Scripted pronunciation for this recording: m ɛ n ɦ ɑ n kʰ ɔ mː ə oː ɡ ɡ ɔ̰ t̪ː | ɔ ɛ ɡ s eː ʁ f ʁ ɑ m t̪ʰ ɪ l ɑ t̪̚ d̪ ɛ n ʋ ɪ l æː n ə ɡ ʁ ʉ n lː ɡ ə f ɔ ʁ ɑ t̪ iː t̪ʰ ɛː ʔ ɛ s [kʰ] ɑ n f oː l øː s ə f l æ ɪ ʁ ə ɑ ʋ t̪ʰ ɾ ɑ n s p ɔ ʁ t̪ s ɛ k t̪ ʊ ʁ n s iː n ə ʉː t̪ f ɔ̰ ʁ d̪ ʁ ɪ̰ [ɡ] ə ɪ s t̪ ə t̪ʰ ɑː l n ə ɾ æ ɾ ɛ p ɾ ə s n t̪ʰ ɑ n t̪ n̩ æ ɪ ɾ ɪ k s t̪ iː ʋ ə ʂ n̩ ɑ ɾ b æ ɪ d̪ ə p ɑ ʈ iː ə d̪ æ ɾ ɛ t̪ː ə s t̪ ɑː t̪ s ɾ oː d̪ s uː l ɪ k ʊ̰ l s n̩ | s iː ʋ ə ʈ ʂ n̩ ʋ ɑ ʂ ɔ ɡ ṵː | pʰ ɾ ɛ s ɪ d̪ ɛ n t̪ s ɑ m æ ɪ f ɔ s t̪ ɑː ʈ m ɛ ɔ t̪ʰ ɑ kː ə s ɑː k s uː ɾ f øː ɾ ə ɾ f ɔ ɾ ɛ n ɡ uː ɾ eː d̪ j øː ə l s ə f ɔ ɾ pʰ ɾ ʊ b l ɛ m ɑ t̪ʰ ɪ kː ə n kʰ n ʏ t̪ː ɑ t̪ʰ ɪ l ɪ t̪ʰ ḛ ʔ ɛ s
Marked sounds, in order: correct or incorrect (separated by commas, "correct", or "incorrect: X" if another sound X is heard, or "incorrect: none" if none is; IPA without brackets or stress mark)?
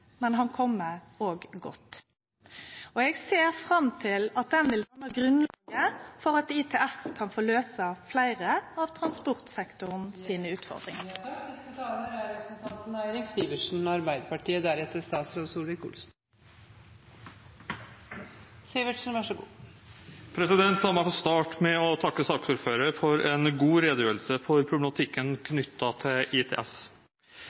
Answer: correct, incorrect: ŋ